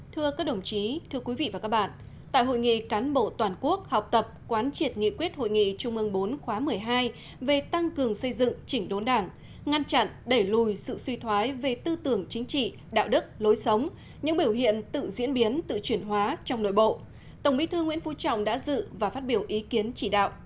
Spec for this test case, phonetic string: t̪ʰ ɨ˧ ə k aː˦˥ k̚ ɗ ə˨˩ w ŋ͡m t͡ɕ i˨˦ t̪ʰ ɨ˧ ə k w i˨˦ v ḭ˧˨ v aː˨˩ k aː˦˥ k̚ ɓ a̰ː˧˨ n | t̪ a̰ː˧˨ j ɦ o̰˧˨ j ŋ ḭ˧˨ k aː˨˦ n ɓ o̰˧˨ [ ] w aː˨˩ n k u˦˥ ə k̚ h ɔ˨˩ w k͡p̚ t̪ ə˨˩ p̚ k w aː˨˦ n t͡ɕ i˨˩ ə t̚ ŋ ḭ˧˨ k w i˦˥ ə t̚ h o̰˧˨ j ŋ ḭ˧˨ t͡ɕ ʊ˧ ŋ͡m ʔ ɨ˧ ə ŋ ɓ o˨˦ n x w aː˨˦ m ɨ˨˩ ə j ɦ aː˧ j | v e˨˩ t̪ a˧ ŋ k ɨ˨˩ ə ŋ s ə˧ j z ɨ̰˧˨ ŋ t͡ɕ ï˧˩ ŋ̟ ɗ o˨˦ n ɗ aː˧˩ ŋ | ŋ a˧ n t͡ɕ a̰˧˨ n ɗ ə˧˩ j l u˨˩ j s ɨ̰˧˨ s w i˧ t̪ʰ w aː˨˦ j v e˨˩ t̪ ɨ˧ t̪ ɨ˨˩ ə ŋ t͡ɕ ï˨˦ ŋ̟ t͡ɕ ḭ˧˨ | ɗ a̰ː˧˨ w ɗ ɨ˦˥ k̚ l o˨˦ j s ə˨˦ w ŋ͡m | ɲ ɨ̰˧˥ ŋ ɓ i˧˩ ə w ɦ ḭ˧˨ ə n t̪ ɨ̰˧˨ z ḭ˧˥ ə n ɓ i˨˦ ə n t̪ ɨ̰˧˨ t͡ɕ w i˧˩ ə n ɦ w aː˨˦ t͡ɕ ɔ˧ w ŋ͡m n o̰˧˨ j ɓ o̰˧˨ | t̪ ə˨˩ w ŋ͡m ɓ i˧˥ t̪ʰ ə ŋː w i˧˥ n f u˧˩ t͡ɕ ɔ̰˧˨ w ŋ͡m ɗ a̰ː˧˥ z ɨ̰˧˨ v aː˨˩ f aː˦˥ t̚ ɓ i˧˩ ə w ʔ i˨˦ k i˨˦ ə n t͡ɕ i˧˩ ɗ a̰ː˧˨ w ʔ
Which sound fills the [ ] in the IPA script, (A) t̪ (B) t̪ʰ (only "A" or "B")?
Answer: A